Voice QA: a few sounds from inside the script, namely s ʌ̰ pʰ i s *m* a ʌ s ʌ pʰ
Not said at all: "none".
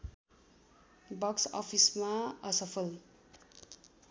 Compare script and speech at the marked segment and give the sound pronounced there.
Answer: m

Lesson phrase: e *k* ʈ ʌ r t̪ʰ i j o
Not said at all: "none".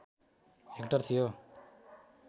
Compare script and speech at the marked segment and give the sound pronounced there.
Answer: k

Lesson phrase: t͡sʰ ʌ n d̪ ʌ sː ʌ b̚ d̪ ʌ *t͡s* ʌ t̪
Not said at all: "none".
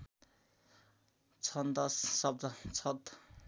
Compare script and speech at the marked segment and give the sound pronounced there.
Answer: t͡sʰ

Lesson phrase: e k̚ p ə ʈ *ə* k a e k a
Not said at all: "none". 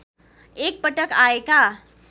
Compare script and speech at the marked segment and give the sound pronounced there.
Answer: ə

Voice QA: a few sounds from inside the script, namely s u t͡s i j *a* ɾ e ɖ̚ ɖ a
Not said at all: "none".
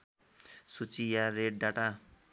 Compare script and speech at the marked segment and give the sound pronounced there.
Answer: a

